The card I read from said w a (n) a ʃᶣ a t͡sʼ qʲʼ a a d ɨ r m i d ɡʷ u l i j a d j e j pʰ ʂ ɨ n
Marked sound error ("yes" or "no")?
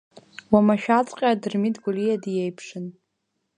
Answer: yes